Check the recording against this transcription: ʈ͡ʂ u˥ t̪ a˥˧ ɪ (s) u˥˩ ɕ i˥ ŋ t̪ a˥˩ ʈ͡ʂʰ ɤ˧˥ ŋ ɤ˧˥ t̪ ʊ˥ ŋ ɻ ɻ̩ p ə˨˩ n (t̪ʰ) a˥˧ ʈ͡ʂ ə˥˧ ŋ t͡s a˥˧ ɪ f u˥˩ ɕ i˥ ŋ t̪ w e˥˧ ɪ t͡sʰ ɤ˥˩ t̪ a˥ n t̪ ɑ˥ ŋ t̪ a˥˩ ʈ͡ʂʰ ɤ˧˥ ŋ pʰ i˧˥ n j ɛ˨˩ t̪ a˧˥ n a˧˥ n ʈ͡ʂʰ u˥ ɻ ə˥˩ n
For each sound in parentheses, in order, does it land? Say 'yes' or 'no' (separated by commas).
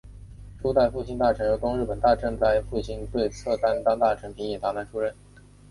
no, no